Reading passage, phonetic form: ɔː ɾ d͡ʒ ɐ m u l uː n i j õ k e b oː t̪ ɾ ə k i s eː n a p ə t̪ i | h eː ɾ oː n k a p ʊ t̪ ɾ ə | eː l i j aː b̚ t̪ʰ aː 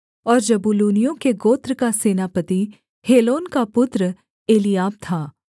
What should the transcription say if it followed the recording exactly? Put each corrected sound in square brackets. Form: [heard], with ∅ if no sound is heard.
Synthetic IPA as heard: ɔː ɾ d͡ʒ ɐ [b] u l uː n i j õ k e [ɡ] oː t̪ ɾ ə k [a] s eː n a p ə t̪ i | h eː [l] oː n k a p ʊ t̪ ɾ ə | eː l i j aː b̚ t̪ʰ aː